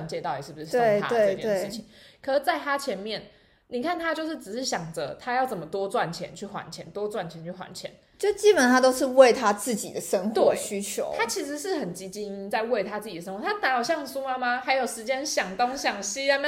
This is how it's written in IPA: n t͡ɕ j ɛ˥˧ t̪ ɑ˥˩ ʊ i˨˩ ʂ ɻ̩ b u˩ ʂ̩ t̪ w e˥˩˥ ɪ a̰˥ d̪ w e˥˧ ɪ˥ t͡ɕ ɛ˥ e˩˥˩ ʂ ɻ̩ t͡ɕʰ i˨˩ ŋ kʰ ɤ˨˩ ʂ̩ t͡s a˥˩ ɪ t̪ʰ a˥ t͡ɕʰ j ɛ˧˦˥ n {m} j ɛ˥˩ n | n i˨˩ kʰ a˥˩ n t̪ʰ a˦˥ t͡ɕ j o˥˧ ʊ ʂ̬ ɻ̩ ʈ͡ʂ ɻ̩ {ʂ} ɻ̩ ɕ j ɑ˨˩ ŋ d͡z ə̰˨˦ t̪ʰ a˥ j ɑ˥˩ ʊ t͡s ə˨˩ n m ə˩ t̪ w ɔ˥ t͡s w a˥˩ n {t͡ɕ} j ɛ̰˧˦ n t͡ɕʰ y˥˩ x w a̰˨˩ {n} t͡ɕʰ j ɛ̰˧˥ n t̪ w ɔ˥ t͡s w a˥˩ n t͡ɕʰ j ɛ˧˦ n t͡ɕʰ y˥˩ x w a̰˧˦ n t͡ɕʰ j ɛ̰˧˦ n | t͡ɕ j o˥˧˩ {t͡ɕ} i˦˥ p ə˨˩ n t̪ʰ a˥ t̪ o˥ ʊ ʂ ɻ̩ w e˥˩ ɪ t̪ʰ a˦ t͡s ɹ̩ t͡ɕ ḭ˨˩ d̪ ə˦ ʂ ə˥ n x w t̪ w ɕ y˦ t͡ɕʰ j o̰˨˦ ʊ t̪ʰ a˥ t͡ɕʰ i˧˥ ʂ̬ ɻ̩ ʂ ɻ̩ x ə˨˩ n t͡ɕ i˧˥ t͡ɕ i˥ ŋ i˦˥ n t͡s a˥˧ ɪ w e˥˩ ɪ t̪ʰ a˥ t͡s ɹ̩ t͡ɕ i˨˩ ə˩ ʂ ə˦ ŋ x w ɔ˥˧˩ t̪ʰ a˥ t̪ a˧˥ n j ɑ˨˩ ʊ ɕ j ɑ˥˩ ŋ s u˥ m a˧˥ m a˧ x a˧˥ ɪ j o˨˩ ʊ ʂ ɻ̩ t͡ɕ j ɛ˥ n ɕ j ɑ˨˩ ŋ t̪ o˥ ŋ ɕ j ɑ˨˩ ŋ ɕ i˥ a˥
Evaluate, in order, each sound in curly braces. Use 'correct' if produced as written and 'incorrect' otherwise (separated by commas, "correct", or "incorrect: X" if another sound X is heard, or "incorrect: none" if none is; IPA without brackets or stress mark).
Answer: correct, correct, incorrect: t͡ɕʰ, correct, correct